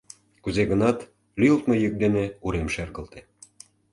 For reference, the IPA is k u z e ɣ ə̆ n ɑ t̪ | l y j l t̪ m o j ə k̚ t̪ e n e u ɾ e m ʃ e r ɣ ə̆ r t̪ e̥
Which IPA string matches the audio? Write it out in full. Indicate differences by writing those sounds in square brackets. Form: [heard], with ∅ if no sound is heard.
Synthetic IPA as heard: k u z e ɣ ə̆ n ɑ t̪ | l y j l t̪ m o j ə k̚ [d̪] e n e u ɾ e m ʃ e r ɣ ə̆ [l] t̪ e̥